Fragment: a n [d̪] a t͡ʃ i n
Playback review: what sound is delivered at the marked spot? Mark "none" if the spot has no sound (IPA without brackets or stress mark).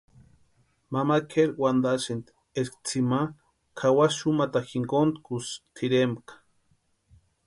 d̪